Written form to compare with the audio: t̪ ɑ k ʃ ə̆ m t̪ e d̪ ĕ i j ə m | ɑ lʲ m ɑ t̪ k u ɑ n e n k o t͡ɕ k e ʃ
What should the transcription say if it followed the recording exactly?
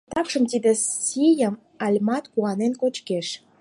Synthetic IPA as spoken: t̪ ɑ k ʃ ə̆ m t̪ i d̪ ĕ i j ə m | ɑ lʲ m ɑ t̪ k u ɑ n e n k o t͡ɕ k e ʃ